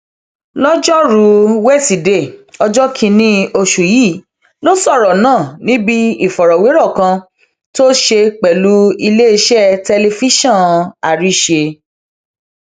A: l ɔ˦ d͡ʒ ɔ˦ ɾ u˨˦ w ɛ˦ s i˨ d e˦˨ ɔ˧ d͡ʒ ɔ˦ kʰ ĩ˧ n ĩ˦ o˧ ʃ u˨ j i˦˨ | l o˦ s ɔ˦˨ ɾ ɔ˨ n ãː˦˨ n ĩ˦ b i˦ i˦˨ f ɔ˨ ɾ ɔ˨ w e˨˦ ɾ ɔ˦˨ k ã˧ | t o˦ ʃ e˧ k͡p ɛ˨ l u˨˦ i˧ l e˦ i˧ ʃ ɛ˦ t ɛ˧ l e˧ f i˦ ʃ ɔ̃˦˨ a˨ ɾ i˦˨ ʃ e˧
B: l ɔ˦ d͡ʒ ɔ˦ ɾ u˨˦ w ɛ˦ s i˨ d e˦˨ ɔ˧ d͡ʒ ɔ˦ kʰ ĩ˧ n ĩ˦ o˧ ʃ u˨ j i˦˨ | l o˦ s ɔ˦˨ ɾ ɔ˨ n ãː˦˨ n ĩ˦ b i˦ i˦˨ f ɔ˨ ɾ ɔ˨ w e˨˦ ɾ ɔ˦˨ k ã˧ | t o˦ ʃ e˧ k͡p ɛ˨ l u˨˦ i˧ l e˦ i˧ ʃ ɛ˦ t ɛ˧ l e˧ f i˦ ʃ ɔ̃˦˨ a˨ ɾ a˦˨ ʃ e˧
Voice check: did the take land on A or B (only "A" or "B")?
A